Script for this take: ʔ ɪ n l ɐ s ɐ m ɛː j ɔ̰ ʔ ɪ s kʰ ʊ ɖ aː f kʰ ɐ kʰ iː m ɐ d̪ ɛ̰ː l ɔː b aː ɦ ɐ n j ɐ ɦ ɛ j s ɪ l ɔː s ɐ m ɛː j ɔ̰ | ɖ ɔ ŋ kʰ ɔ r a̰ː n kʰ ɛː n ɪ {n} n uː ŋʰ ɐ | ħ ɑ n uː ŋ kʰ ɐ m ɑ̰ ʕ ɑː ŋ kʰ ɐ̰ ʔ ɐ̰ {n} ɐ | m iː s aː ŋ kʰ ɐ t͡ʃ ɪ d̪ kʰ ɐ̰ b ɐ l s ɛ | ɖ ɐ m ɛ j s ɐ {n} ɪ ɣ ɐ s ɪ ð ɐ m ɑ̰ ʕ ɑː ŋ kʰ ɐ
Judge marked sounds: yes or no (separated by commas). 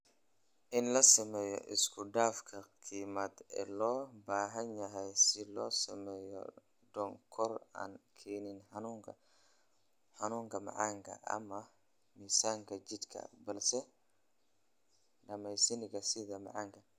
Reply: yes, no, yes